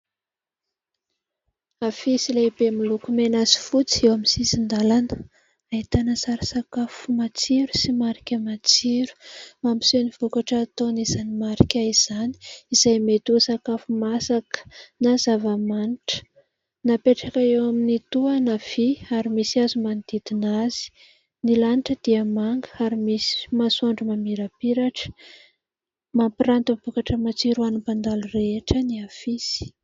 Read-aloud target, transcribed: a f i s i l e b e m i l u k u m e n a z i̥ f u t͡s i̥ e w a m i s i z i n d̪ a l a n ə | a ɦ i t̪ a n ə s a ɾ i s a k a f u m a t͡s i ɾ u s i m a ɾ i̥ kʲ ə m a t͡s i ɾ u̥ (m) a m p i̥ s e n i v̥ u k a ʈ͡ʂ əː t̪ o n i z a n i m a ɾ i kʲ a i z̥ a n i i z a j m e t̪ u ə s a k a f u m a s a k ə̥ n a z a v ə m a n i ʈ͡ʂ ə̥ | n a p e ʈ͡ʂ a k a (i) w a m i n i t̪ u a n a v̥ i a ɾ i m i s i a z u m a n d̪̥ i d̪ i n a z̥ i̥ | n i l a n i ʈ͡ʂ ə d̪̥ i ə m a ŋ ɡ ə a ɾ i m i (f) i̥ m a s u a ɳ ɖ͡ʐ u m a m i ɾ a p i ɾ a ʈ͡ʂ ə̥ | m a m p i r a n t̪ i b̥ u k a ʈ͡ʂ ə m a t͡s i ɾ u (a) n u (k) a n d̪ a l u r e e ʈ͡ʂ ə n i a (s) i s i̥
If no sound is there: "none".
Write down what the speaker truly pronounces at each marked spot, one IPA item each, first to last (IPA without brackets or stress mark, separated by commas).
m, e, s, a, p, f